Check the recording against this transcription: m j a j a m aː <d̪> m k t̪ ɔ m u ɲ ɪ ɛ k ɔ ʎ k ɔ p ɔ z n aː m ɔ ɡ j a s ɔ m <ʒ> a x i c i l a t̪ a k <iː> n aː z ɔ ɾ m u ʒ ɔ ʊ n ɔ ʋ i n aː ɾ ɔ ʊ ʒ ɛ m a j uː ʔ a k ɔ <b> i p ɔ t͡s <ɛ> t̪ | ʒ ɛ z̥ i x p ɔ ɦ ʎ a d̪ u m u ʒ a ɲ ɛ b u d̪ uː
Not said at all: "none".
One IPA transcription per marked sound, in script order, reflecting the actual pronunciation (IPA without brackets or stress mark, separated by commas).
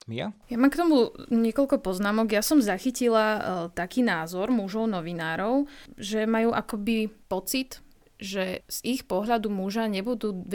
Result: none, z, iː, b, i